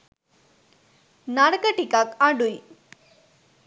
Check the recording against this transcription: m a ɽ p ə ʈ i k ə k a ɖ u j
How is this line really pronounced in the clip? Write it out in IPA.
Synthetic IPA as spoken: n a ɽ k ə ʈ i k a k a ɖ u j

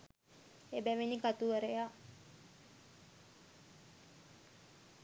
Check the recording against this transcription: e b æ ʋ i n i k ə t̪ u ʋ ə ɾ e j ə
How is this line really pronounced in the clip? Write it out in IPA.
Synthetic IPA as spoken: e b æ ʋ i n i k a t̪ u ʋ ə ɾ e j a

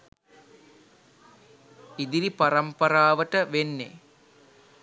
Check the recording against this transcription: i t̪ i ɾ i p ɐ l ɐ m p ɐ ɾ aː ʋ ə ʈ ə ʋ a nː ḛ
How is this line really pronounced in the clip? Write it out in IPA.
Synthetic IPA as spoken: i d̪ i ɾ i p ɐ ɾ ɐ m p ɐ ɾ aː ʋ ə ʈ ə ʋ e nː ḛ

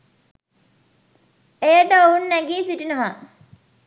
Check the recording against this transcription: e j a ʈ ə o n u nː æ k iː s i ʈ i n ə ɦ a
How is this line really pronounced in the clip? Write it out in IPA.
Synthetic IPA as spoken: e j ə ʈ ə o u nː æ ɡ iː s i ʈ i n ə ɦ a

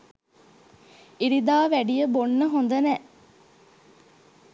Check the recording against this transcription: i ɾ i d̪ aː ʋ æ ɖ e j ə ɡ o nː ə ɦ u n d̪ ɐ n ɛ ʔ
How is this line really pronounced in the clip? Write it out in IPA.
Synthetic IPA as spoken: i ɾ i d̪ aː ʋ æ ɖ i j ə b o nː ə ɦ o n d̪ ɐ n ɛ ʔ

